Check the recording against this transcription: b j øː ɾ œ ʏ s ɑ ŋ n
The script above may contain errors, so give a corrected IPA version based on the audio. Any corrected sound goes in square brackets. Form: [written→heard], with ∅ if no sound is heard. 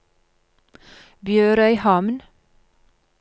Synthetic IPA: b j øː ɾ œ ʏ [s→h] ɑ [ŋ→m] n